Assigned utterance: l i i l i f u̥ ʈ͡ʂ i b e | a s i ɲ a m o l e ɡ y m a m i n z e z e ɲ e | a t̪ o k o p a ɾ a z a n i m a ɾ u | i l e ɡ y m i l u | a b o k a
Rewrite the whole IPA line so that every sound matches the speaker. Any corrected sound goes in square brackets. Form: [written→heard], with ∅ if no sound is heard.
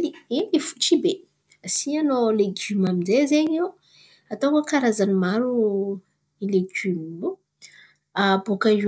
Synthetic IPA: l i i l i f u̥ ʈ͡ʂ i b e | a s i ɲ a [m→n] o l e ɡ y m a m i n z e z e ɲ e | a t̪ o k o [p→k] a ɾ a z a n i m a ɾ u | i l e ɡ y m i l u | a b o k a